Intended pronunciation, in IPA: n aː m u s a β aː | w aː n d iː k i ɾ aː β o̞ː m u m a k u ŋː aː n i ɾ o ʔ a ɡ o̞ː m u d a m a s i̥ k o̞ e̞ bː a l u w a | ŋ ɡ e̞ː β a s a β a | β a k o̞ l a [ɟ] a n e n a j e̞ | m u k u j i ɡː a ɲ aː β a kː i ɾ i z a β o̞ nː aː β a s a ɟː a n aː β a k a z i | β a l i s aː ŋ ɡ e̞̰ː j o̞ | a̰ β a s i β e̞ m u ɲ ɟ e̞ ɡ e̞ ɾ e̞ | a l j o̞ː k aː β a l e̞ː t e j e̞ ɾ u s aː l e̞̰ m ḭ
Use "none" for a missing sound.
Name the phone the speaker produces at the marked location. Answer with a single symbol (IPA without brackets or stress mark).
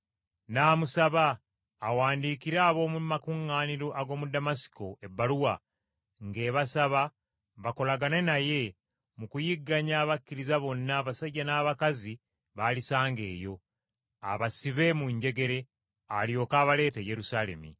ɡ